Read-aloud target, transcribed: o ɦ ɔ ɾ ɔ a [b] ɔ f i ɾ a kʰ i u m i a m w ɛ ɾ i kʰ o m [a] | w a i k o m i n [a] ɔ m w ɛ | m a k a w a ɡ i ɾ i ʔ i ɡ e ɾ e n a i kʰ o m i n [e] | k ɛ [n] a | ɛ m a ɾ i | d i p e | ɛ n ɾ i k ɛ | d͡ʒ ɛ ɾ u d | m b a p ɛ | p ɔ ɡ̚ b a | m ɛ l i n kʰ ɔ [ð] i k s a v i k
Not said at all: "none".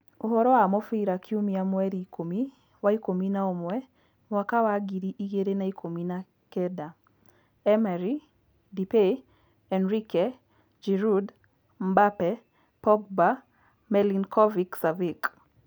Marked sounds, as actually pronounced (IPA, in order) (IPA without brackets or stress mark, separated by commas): m, i, a, a, d, v